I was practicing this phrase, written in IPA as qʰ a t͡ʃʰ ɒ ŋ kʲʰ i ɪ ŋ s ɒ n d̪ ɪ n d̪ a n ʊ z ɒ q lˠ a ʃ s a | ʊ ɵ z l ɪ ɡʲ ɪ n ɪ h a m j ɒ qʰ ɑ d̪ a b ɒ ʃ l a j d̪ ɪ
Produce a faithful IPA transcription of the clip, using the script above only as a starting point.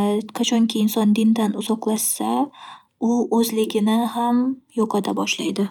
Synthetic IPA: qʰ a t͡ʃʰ ɒ ŋ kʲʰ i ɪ n s ɒ n d̪ ɪ n d̪ a n ʊ z ɒ q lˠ a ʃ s a | ʊ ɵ z l ɪ ɡʲ ɪ n ɪ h a m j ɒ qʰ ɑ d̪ a b ɒ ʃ l a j d̪ ɪ